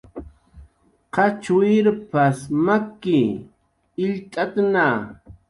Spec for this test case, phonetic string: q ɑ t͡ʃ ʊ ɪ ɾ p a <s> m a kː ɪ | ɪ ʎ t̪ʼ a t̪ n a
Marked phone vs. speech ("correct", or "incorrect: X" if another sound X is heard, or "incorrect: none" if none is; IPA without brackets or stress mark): correct